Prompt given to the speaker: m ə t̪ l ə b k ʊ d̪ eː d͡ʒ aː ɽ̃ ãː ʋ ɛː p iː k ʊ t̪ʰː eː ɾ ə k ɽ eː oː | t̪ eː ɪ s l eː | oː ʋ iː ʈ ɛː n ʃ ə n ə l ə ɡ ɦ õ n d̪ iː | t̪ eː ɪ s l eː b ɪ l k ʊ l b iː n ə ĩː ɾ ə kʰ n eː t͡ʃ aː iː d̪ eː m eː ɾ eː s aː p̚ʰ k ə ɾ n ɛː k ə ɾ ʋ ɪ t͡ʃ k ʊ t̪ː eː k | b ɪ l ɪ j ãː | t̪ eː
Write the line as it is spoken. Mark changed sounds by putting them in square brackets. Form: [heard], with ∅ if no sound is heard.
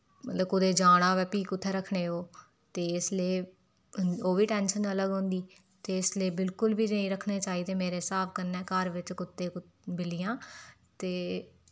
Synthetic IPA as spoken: m ə t̪ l ə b k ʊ d̪ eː d͡ʒ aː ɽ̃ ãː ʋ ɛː p iː k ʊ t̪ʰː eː ɾ ə [kʰ] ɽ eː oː | t̪ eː ɪ s l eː | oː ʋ iː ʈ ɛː n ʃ ə n ə l ə ɡ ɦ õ n d̪ iː | t̪ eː ɪ s l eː b ɪ l k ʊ l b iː n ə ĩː ɾ ə kʰ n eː t͡ʃ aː iː d̪ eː m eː ɾ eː s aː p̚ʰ k ə ɾ n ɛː k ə ɾ ʋ ɪ t͡ʃ k ʊ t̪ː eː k | b ɪ l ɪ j ãː | t̪ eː